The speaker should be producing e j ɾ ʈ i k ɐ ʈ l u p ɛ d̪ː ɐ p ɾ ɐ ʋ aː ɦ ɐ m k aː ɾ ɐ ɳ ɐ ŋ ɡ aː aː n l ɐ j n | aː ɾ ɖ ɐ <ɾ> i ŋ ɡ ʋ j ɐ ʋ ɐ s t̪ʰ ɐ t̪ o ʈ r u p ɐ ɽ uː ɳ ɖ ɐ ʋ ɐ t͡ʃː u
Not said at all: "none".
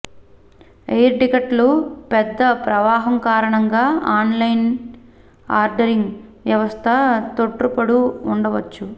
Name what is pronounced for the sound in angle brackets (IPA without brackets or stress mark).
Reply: ɾ